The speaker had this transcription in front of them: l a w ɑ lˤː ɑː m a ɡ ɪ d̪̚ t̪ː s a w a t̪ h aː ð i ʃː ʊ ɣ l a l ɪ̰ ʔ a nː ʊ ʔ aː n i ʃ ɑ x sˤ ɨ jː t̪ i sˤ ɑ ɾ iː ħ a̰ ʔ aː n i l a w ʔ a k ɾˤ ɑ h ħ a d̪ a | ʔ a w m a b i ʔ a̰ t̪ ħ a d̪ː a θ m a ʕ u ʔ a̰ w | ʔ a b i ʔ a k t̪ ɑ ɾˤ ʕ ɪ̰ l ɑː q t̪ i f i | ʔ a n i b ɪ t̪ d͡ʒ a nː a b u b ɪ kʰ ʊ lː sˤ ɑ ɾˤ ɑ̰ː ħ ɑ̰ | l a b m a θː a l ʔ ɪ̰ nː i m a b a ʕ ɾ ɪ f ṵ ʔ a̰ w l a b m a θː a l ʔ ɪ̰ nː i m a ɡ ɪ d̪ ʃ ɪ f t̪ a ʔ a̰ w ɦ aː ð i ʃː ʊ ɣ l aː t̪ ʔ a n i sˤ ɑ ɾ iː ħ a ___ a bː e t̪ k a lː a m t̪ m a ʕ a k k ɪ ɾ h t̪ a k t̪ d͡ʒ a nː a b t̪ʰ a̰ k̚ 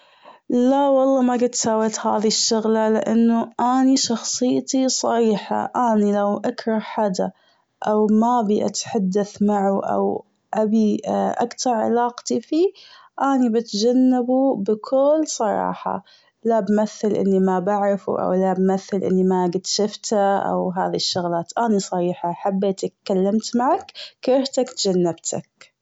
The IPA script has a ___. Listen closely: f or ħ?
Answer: ħ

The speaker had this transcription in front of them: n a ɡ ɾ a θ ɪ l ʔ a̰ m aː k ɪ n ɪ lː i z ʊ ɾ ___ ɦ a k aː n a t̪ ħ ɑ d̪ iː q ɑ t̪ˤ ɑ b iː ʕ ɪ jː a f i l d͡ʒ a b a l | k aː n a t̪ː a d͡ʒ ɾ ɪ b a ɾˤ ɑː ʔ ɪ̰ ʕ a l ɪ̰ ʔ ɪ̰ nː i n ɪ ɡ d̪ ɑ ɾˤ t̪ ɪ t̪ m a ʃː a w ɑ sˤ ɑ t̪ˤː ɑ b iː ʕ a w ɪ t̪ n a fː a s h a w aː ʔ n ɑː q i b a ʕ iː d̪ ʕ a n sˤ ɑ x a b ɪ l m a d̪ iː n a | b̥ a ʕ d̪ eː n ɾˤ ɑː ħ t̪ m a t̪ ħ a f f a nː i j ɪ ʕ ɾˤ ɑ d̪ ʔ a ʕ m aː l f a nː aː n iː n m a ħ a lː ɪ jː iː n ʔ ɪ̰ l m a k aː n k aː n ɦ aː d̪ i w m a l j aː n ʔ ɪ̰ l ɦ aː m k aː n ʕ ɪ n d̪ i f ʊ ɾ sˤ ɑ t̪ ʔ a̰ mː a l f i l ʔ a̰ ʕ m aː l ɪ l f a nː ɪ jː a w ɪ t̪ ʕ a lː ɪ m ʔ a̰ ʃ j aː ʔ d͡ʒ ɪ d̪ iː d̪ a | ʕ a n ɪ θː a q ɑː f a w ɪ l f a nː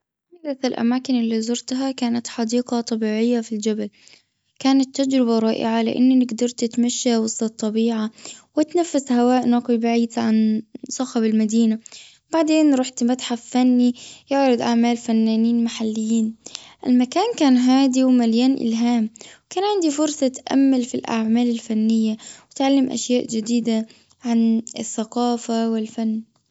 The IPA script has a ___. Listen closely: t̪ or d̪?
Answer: t̪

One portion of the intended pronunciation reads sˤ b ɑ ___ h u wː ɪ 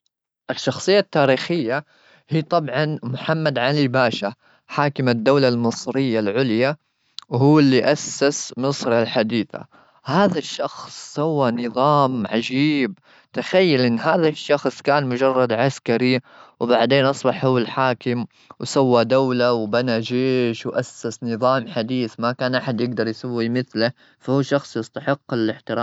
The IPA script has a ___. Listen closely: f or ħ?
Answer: ħ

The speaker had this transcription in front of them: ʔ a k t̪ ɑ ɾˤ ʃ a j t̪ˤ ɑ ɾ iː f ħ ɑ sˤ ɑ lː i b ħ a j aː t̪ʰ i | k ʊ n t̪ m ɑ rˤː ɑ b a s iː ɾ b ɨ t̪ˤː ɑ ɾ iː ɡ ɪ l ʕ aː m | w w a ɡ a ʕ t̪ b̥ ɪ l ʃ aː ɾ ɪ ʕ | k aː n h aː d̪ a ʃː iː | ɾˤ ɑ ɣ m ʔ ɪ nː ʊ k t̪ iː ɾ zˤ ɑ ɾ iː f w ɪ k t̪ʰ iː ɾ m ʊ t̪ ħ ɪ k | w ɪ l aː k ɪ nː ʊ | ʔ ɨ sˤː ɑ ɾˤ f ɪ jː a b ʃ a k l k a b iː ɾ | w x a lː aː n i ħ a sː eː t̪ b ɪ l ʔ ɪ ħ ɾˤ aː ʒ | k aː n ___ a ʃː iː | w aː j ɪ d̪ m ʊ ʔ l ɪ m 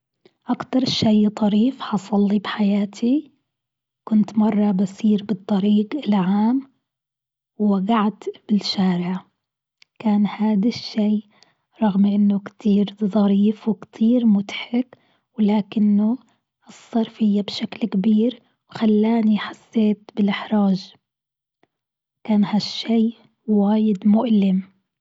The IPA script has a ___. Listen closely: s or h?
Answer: h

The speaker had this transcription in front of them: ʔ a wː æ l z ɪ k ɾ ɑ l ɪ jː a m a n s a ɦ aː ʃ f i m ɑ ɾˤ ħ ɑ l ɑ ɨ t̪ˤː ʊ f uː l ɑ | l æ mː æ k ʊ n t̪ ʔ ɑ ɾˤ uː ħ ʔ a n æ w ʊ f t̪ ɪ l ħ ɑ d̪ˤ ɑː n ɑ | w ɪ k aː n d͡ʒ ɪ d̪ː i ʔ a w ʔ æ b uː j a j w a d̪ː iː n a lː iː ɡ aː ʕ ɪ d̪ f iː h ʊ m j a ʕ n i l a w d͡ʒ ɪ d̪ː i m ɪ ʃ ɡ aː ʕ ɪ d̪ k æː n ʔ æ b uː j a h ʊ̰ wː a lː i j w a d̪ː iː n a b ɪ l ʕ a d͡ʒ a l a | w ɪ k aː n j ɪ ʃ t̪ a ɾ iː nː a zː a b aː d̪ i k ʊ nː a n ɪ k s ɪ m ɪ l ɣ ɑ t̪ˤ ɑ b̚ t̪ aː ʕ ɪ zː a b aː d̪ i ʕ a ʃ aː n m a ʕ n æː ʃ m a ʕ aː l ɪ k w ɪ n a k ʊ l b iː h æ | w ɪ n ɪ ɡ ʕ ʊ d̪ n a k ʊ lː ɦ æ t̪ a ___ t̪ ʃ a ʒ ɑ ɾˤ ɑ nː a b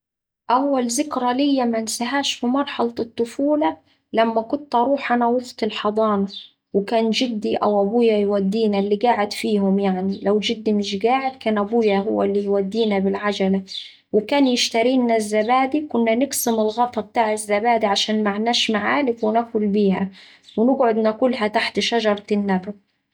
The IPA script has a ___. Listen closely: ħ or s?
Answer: ħ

